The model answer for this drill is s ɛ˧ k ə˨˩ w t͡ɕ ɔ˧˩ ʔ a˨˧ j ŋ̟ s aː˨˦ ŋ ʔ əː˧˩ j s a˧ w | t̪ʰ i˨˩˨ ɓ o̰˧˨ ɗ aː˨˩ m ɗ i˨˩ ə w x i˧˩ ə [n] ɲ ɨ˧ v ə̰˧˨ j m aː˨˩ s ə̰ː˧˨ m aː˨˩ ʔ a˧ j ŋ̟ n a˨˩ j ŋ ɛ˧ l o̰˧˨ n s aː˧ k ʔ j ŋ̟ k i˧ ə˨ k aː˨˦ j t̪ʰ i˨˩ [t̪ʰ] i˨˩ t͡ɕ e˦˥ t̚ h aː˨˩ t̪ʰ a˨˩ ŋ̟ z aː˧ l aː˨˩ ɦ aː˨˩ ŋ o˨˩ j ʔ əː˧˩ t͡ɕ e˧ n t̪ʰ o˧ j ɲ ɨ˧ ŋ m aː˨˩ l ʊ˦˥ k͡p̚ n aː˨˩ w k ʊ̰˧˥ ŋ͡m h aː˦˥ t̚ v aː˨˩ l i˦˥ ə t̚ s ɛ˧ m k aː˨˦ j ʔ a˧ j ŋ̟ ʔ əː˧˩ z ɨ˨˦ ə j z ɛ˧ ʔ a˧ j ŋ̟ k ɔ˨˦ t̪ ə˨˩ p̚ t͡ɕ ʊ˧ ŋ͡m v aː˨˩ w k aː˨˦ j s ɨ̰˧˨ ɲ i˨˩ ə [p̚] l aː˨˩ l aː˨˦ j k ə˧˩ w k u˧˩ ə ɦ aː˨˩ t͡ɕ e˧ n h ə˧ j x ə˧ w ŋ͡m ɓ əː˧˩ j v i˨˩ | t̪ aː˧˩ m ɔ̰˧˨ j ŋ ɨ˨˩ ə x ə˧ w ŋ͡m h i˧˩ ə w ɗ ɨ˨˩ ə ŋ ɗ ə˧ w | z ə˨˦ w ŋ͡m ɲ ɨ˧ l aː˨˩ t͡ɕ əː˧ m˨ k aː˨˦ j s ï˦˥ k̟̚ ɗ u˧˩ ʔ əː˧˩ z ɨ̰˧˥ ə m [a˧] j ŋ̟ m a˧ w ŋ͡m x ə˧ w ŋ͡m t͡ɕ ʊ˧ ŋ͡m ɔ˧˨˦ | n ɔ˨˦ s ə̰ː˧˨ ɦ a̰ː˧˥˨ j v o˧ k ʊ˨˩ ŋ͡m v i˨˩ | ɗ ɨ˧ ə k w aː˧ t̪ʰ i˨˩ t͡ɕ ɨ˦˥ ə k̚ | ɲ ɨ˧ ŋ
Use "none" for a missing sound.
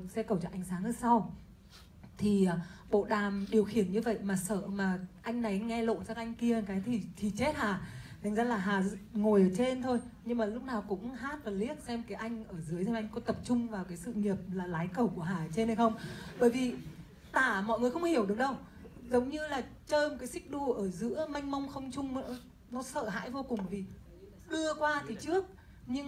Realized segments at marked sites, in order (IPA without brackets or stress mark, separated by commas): n, t̪ʰ, p̚, a˧